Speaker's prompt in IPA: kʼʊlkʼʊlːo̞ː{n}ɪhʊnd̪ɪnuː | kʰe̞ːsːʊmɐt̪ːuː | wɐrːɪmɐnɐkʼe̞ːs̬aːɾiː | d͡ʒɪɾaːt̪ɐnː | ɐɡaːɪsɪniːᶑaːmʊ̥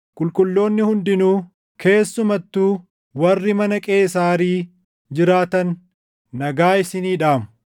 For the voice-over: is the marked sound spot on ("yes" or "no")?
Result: no